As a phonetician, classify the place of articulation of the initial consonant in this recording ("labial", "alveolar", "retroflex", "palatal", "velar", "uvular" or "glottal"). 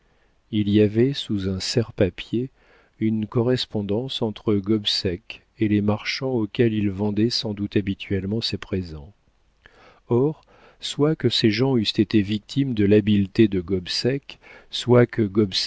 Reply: alveolar